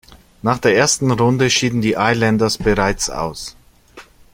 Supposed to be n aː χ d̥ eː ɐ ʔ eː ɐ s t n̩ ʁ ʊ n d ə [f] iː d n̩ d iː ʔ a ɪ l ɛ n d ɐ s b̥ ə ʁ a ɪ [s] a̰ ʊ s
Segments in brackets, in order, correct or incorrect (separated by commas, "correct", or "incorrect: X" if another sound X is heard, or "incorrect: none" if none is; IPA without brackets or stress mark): incorrect: ʃ, incorrect: t͡s